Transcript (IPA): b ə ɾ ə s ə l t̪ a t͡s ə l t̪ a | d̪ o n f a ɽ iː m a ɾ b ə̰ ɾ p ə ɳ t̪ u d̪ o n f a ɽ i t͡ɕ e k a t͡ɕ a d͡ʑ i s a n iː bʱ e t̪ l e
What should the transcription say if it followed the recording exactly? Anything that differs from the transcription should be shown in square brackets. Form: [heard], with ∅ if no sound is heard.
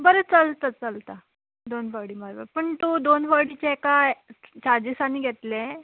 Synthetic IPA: b ə ɾ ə [t͡s] ə l t̪ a t͡s ə l t̪ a | d̪ o n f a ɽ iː m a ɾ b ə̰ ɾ p ə ɳ t̪ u d̪ o n f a ɽ i t͡ɕ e k a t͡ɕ a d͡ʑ i s a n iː [ɡʱ] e t̪ l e